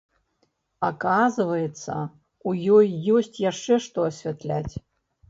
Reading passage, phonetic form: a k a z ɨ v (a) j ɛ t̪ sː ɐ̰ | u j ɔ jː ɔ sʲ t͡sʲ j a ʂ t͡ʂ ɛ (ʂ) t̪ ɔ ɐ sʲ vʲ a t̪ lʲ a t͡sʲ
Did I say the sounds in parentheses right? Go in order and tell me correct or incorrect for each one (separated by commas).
incorrect, correct